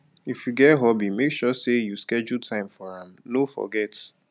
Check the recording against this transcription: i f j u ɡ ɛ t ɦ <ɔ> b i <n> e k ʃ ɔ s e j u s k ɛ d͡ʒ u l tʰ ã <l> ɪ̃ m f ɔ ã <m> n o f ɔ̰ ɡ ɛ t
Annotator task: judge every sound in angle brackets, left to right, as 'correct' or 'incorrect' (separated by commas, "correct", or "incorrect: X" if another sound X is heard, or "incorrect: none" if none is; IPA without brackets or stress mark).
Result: correct, incorrect: m, incorrect: none, correct